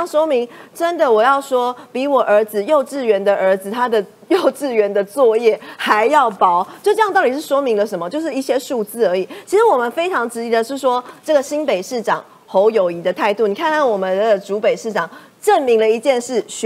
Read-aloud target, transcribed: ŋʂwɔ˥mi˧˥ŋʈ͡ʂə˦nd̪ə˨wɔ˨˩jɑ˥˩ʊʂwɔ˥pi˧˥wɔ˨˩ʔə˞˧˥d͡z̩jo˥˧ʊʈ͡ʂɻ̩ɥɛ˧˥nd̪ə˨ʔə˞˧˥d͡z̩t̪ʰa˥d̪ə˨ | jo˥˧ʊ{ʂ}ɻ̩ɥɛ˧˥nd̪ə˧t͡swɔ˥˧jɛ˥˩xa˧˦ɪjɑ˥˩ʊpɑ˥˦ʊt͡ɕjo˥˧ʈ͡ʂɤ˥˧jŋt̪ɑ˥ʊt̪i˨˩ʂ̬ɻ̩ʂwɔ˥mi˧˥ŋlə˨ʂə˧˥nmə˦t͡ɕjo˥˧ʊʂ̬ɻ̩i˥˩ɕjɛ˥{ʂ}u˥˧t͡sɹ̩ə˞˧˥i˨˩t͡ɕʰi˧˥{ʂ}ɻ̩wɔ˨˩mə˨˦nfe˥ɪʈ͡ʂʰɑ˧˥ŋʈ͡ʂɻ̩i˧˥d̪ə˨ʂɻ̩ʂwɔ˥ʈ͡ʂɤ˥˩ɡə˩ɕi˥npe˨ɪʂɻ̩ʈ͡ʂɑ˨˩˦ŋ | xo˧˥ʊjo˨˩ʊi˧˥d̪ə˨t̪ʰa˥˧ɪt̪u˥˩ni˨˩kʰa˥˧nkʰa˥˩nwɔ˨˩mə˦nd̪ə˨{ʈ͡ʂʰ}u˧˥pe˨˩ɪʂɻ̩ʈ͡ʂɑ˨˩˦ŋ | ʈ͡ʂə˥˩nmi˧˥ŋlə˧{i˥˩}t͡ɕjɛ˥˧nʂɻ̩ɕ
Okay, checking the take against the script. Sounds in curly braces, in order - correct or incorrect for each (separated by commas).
incorrect, correct, correct, incorrect, incorrect